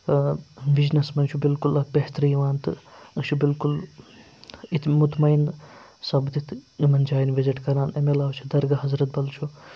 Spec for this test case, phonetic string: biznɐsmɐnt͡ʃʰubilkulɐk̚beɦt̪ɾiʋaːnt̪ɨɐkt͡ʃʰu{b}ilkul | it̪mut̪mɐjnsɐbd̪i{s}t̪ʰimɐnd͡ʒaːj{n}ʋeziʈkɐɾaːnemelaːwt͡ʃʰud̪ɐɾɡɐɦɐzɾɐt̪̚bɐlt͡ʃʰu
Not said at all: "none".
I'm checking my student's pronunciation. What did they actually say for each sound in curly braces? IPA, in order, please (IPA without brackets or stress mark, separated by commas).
b, none, n